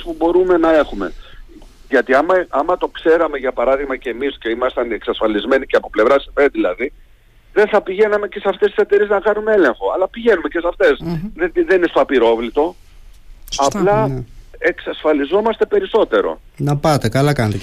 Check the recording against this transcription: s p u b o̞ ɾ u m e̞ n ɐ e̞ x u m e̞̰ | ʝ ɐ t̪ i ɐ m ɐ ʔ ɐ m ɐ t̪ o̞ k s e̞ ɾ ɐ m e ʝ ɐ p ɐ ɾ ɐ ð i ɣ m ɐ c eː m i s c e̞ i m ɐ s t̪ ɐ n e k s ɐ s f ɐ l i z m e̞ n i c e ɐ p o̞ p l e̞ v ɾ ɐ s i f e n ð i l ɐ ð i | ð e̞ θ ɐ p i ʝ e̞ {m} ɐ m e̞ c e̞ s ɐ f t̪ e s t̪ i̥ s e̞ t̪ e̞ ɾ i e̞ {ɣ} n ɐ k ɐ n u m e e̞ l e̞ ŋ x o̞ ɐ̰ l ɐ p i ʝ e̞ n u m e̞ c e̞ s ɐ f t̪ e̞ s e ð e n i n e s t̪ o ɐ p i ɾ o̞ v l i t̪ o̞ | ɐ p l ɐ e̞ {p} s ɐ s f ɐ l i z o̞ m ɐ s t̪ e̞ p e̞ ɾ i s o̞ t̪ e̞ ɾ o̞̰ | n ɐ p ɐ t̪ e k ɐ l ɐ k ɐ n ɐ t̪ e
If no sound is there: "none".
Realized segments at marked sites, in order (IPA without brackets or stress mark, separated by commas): n, z, k